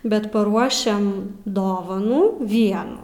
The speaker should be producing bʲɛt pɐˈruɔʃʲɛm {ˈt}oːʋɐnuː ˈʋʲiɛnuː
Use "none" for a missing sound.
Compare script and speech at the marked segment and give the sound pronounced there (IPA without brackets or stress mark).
d